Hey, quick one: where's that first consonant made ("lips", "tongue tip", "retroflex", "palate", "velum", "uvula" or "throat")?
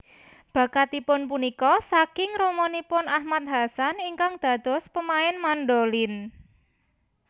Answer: lips